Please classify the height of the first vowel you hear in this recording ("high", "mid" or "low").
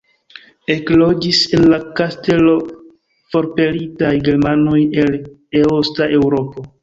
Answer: mid